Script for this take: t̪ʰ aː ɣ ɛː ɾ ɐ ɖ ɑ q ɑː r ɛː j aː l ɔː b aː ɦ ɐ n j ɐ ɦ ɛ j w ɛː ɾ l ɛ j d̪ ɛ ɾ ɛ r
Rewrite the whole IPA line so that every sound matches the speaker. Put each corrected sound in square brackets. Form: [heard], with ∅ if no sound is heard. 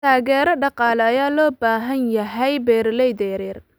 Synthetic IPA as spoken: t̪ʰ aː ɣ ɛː ɾ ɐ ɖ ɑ q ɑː [l] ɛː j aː l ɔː b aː ɦ ɐ n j ɐ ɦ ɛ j [b] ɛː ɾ l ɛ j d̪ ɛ ɾ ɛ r

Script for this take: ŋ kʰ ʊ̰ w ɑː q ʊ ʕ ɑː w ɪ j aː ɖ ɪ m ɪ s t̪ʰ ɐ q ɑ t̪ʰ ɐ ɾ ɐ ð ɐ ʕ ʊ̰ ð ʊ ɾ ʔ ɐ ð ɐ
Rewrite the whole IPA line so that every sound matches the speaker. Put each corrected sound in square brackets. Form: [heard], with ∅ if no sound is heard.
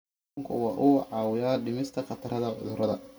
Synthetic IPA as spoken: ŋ kʰ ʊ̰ w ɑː [ʔ] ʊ ʕ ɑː w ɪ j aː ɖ ɪ m ɪ s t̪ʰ ɐ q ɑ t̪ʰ ɐ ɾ ɐ ð ɐ ʕ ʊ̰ ð ʊ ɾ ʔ ɐ ð ɐ

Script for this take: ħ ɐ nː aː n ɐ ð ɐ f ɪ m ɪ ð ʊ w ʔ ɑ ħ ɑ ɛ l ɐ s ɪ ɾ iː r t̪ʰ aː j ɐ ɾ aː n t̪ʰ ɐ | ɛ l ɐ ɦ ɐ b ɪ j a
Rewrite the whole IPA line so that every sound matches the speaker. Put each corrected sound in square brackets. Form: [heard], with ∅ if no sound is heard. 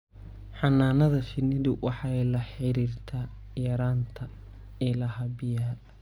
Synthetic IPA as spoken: ħ [ɑ] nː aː n ɐ ð ɐ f ɪ [n] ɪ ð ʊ w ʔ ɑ ħ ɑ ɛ l ɐ [ħ] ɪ ɾ iː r t̪ʰ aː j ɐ ɾ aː n t̪ʰ ɐ | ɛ l ɐ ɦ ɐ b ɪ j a

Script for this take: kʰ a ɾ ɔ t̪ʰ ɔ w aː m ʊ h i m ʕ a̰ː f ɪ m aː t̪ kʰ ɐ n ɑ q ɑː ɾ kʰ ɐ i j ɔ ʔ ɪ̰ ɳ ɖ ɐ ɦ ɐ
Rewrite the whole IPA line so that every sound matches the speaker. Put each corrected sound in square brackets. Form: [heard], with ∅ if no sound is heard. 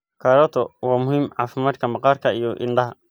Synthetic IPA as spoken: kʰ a ɾ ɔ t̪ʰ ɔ w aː m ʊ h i m ʕ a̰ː f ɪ m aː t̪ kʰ ɐ [m] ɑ q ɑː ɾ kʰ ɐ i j ɔ ʔ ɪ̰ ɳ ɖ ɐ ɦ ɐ

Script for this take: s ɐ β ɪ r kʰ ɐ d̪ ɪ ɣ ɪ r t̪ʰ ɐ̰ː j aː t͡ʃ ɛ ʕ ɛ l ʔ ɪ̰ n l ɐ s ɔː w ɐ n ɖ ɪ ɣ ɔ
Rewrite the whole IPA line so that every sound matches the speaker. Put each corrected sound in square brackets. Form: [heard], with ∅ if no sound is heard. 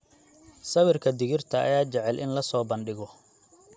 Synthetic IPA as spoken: s ɐ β ɪ r kʰ ɐ d̪ ɪ ɣ ɪ r t̪ʰ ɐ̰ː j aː t͡ʃ ɛ ʕ ɛ l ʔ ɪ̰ n l ɐ s ɔː [b] ɐ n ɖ ɪ ɣ ɔ

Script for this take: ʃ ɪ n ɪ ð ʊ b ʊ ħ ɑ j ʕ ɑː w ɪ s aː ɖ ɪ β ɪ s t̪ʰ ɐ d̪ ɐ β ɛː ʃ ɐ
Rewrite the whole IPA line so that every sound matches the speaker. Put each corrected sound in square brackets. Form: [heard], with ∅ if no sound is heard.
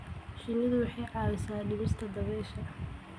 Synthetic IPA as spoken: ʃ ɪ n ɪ ð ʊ [w] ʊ ħ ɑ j ʕ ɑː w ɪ s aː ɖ ɪ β ɪ s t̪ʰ ɐ d̪ ɐ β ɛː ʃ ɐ

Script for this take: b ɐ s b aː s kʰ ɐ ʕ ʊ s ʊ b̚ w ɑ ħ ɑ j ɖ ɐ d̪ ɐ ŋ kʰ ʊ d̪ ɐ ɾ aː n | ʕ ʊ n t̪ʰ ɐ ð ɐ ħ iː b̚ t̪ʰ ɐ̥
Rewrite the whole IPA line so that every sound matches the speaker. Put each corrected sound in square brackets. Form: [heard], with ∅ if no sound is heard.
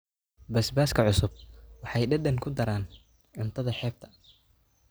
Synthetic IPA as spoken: b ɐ s b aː s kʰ ɐ ʕ ʊ s ʊ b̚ w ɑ ħ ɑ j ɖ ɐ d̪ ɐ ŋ kʰ ʊ d̪ ɐ ɾ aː n | ʕ ʊ n t̪ʰ ɐ ð ɐ ħ [ɛː] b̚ t̪ʰ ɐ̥

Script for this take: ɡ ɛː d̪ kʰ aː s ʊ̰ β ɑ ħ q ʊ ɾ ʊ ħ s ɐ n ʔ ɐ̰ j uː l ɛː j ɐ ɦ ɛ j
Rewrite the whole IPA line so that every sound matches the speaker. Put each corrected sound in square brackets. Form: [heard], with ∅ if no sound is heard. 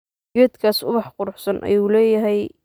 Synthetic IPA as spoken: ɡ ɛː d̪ kʰ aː s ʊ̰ β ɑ ħ q ʊ ɾ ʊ ħ s ɐ n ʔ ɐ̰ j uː l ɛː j ɐ ɦ ɛ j

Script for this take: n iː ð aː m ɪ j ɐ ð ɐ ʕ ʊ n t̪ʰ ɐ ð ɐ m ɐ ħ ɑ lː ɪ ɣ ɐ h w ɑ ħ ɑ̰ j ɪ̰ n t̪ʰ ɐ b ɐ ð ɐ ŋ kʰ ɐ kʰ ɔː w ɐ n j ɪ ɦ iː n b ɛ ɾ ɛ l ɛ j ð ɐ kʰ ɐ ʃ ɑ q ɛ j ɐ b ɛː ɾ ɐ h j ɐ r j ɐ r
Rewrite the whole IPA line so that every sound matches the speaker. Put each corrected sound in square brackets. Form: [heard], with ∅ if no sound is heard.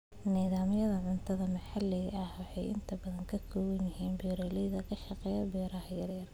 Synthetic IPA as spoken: n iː ð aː m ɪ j ɐ ð ɐ ʕ ʊ n t̪ʰ ɐ ð ɐ m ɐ ħ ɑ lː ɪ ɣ ɐ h w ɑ ħ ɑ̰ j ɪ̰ n t̪ʰ ɐ b ɐ ð ɐ ŋ kʰ ɐ kʰ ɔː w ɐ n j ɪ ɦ iː n b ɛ ɾ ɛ l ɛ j ð ɐ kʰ ɐ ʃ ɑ q ɛ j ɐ b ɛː ɾ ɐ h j ɐ r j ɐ r

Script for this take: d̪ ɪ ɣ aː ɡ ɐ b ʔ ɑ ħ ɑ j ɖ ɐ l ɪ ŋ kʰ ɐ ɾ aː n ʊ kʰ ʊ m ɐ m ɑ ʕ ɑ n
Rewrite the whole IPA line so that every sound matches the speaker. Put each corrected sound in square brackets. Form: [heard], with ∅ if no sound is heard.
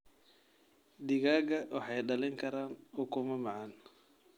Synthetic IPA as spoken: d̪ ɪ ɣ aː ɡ ɐ [w] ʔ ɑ ħ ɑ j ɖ ɐ l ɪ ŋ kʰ ɐ ɾ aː n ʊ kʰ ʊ m ɐ m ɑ ʕ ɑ n

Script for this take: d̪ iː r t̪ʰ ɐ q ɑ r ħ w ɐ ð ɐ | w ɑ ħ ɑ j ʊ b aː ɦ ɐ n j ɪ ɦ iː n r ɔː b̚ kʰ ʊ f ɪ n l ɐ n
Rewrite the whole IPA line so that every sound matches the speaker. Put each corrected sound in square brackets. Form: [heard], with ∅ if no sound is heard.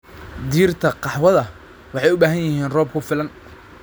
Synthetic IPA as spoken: d̪ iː r t̪ʰ ɐ q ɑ [∅] ħ w ɐ ð ɐ | w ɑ ħ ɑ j ʊ b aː ɦ ɐ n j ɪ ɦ iː n r ɔː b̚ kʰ ʊ f ɪ [∅] l ɐ n

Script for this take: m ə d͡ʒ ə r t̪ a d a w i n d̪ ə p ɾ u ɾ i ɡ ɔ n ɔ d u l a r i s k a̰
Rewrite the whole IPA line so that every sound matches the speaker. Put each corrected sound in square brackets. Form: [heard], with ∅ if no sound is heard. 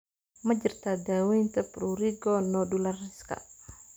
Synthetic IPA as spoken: m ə d͡ʒ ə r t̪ a d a w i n [t̪] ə p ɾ u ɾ i ɡ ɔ n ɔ d u l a r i s k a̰

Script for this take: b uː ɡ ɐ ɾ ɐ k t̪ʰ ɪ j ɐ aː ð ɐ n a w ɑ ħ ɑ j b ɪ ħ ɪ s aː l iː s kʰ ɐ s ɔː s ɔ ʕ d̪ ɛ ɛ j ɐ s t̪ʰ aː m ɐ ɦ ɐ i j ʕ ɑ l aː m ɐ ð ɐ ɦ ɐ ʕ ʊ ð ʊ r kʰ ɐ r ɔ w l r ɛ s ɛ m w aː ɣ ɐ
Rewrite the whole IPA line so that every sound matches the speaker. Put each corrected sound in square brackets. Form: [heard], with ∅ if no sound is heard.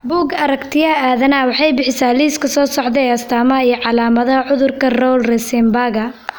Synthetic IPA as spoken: b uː ɡ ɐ ɾ ɐ k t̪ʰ ɪ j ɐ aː ð ɐ n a w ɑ ħ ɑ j b ɪ ħ ɪ s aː l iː s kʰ ɐ s ɔː s ɔ ʕ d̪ ɛ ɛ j ɐ s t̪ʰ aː m ɐ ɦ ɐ i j ʕ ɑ l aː m ɐ ð ɐ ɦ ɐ ʕ ʊ ð ʊ r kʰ ɐ r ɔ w l r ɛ s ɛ m [b] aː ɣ ɐ

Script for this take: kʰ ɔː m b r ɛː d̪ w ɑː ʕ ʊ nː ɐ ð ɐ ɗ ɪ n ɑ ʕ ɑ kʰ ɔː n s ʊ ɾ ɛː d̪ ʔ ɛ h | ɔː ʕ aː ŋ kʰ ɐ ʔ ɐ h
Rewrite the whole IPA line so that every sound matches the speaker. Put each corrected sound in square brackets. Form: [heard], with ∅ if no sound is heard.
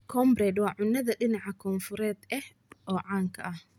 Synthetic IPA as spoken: kʰ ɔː m b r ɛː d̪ w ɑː ʕ ʊ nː ɐ ð ɐ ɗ ɪ n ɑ ʕ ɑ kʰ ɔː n [f] ʊ ɾ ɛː d̪ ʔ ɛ h | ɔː ʕ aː ŋ kʰ ɐ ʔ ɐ h

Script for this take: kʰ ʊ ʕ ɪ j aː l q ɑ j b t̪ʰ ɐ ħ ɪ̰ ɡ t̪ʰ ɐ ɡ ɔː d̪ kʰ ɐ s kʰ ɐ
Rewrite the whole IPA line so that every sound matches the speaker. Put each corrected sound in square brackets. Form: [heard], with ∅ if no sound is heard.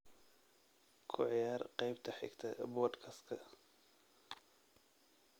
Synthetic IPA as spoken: kʰ ʊ ʕ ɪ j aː [r] q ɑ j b t̪ʰ ɐ ħ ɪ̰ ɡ t̪ʰ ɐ [b] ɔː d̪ kʰ ɐ s kʰ ɐ

